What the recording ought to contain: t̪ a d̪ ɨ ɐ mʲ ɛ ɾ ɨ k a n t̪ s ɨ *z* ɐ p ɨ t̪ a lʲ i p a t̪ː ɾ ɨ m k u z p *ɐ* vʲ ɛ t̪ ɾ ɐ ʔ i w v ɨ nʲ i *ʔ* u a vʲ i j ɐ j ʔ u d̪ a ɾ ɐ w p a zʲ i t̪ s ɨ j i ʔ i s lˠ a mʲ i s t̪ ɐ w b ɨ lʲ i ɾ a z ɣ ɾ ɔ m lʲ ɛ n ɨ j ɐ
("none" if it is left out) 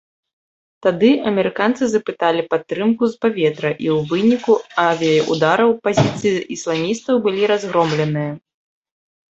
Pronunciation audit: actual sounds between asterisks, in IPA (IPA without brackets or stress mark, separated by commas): z, a, k